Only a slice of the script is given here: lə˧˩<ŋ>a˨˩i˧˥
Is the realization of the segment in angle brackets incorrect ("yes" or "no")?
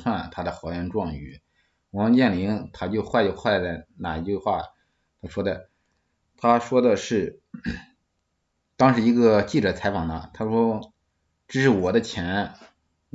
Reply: yes